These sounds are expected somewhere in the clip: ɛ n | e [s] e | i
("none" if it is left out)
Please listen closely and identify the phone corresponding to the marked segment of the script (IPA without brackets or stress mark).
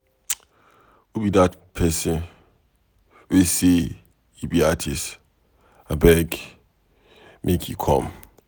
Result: s